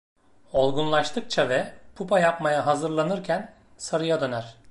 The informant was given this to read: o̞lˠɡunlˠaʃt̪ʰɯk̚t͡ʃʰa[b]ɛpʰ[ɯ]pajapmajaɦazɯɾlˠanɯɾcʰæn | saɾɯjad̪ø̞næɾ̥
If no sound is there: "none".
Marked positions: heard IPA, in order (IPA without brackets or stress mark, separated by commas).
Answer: v, u